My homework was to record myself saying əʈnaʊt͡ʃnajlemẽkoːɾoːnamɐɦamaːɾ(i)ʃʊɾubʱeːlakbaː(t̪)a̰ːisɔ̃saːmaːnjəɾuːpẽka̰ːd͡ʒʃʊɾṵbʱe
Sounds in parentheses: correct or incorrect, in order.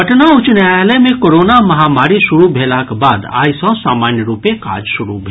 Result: correct, incorrect: d̪

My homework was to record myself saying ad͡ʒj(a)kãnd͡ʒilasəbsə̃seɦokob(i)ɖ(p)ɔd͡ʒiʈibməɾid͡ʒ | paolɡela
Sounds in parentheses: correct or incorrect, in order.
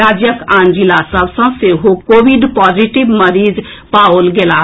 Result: incorrect: ə, correct, correct

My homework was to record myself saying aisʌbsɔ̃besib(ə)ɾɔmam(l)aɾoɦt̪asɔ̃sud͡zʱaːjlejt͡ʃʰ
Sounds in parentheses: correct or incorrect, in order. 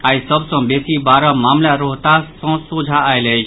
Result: incorrect: a, correct

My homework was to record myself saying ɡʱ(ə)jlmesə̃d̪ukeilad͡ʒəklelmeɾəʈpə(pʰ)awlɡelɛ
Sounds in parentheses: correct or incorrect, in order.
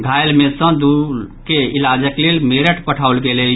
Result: incorrect: a, incorrect: ʈʰ

